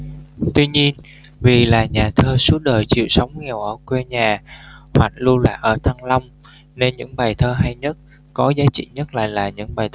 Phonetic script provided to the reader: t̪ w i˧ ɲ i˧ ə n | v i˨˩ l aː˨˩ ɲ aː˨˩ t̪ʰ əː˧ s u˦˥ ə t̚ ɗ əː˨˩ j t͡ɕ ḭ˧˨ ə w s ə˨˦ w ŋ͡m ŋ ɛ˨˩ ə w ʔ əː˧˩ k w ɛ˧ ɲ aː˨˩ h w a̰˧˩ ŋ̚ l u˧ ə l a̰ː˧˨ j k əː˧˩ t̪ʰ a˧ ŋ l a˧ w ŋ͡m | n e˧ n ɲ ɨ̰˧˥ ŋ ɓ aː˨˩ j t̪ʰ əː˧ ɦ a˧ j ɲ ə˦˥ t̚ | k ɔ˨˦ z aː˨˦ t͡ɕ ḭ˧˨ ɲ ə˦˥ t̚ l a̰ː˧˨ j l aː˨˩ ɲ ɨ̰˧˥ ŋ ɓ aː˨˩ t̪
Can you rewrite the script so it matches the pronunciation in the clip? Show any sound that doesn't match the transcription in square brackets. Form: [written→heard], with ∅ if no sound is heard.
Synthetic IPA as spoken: t̪ w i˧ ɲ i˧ ə n | v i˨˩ l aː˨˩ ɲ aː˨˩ t̪ʰ əː˧ s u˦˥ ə t̚ ɗ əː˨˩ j t͡ɕ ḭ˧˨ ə w s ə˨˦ w ŋ͡m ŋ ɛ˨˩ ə w ʔ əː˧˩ k w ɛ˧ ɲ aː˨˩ h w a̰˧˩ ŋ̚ l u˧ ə l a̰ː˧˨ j [k→ʔ] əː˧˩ t̪ʰ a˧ ŋ l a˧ w ŋ͡m | n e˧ n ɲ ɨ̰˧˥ ŋ ɓ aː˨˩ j t̪ʰ əː˧ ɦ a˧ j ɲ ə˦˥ t̚ | k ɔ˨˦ z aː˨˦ t͡ɕ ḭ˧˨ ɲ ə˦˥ t̚ l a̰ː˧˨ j l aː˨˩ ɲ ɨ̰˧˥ ŋ ɓ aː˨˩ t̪